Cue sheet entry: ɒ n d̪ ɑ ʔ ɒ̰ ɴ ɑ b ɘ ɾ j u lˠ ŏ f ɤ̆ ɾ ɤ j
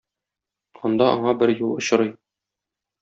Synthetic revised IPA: ɒ n d̪ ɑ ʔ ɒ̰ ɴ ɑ b ɘ ɾ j u lˠ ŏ ɕ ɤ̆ ɾ ɤ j

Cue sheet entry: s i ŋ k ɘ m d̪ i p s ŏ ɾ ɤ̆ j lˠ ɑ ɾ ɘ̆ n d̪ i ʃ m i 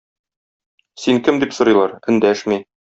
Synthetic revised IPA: s i ŋ k ɘ m d̪ i p s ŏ ɾ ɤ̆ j lˠ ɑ ɾ ɘ̆ n d̪ æ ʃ m i

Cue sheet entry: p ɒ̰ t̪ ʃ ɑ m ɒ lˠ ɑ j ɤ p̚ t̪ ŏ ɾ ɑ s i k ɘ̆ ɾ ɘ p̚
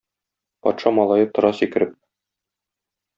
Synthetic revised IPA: p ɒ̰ t̪ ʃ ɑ m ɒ lˠ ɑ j ɤ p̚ t̪ ŏ ɾ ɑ s i k ɘ̆ ɾ ɘ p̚

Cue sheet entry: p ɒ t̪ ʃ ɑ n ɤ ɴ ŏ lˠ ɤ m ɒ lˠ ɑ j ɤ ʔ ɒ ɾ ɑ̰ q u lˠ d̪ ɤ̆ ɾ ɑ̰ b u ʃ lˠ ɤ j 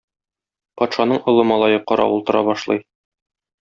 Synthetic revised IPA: p ɒ t̪ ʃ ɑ n ɤ ɴ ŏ lˠ ɤ m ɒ lˠ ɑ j ɤ q ɒ ɾ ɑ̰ u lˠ t̪ ɤ̆ ɾ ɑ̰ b ɒ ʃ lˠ ɤ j

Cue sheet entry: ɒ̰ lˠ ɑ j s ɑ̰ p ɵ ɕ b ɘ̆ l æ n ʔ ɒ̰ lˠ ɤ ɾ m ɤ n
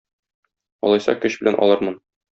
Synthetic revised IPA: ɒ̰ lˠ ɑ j s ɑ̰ k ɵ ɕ b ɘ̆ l æ n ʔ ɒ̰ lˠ ɤ ɾ m ɤ n

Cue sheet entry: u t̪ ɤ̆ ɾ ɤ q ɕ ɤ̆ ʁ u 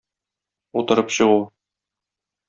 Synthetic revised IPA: u t̪ ɤ̆ ɾ ɤ p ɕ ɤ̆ ʁ u

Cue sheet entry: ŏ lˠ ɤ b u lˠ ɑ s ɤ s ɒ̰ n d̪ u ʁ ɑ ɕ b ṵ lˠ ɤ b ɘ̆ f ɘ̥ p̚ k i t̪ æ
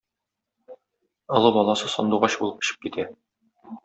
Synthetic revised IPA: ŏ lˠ ɤ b ɒ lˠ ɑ s ɤ s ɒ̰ n d̪ u ʁ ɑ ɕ b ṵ lˠ ɤ p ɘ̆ ɕ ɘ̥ p̚ k i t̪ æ

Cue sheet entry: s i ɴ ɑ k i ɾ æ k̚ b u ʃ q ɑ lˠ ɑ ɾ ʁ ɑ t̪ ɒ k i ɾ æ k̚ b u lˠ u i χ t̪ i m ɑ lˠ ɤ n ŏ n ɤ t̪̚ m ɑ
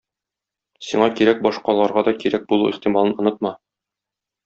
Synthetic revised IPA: s i ɴ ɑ k i ɾ æ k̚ b ɒ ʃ q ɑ lˠ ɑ ɾ ʁ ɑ d̪ ɒ k i ɾ æ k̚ b u lˠ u i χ t̪ i m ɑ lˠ ɤ n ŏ n ɤ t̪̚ m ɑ

